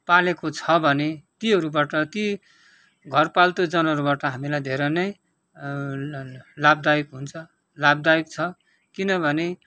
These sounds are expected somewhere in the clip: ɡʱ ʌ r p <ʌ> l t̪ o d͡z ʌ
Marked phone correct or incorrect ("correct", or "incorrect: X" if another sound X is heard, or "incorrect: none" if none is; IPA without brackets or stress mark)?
incorrect: a